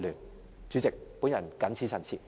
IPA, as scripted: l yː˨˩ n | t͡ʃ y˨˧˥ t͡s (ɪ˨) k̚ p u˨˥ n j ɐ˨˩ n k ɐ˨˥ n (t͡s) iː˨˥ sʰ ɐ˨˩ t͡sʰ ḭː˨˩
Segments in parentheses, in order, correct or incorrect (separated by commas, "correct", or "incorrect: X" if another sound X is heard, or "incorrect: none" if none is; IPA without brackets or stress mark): correct, incorrect: t͡sʰ